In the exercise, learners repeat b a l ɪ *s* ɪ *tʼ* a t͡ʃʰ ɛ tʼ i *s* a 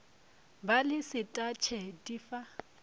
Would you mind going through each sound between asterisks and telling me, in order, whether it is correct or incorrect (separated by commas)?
correct, correct, incorrect